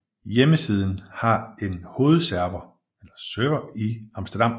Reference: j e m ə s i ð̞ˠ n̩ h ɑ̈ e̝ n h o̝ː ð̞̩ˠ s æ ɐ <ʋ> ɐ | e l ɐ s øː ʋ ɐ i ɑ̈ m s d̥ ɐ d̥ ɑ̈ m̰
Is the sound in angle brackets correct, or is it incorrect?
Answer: correct